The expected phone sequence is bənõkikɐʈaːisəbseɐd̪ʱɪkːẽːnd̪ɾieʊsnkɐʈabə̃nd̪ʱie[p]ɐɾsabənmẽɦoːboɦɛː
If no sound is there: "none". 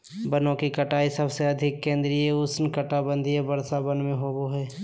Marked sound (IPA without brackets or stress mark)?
b